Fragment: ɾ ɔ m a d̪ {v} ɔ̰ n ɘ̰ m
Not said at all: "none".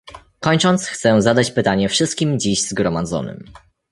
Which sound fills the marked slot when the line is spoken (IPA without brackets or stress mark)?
z